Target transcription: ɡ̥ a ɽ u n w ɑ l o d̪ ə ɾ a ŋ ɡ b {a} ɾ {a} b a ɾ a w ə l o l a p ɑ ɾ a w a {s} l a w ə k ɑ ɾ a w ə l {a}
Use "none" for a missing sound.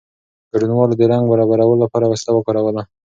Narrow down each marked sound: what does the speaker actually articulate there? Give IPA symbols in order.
a, ɑ, s, a

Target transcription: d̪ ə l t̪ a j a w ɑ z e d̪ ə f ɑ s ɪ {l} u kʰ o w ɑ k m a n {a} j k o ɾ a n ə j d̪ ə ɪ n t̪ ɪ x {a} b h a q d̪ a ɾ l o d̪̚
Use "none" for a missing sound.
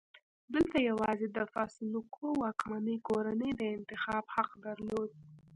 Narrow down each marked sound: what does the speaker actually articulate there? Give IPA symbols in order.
l, ə, ɑ

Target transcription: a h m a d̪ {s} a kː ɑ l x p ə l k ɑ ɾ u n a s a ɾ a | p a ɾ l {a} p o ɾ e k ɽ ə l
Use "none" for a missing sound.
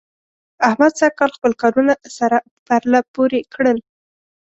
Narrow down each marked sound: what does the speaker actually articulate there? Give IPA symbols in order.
s, a

